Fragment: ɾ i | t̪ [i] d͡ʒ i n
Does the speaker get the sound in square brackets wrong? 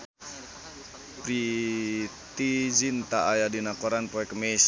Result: no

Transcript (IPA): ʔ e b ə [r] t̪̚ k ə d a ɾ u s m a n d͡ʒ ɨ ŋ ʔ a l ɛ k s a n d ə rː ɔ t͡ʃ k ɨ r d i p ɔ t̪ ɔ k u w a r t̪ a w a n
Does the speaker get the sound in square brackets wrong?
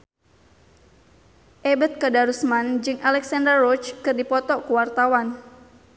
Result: yes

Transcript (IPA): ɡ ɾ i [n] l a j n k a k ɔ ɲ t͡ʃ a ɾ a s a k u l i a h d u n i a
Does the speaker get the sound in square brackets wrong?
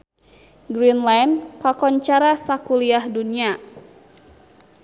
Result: no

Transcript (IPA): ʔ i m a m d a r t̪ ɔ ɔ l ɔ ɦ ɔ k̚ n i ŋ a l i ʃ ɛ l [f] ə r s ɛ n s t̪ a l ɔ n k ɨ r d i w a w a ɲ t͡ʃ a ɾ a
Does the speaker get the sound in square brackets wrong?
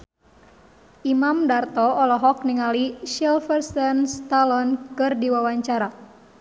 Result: no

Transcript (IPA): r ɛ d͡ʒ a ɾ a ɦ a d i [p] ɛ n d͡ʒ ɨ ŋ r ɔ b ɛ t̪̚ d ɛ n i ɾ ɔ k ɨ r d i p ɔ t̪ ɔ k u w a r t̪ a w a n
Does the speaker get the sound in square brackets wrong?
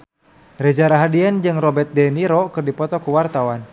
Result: yes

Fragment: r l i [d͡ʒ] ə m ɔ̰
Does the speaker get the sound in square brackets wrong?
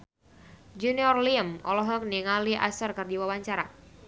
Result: yes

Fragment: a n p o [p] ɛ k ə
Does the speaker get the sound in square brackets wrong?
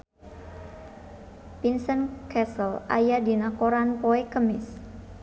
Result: yes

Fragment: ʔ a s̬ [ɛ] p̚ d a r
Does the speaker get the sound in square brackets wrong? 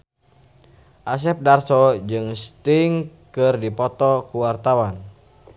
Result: no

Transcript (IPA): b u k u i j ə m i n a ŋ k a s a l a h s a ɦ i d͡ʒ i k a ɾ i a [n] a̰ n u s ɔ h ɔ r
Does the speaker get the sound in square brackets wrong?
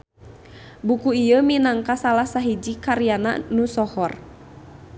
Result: no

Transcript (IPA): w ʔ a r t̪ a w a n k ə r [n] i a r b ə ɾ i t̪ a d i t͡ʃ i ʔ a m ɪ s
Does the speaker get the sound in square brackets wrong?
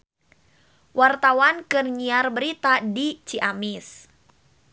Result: yes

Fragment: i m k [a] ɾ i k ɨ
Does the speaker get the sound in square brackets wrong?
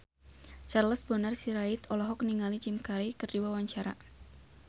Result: no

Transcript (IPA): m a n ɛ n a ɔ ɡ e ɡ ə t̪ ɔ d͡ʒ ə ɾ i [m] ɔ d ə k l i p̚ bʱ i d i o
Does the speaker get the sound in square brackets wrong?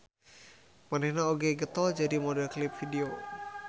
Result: no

